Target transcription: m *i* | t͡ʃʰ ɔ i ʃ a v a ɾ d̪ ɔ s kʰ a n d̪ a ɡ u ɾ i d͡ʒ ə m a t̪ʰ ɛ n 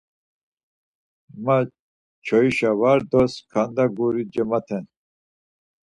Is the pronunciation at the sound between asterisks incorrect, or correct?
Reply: incorrect